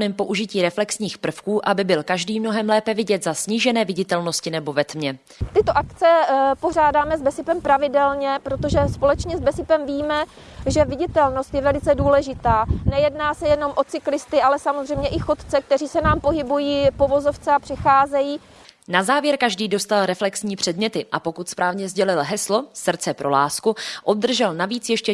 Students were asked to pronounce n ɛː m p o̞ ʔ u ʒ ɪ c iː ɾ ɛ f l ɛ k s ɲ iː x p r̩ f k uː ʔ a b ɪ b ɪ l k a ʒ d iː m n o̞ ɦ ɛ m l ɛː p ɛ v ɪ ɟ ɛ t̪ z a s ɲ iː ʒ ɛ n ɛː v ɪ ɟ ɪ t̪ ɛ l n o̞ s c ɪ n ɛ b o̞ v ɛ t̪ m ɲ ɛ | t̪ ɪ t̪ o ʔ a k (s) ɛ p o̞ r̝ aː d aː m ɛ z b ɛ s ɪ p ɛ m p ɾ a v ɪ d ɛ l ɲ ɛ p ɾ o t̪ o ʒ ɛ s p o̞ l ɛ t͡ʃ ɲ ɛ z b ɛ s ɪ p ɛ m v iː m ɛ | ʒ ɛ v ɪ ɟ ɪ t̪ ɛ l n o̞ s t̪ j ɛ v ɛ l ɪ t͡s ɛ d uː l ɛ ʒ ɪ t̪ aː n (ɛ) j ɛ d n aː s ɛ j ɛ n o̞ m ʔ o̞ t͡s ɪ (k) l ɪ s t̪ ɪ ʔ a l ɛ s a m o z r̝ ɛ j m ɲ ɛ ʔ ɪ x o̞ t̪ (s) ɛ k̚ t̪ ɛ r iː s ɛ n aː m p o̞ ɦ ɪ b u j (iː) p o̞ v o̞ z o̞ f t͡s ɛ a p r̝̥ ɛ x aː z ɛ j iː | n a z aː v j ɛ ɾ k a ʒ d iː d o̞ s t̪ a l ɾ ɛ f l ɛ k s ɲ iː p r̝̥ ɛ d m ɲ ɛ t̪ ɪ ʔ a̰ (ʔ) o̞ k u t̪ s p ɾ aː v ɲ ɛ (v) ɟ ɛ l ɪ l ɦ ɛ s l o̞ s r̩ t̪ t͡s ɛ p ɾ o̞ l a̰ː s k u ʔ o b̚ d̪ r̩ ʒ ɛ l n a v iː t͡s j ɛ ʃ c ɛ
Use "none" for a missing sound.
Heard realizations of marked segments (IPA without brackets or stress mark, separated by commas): t͡s, ɛ, k, t͡s, iː, p, z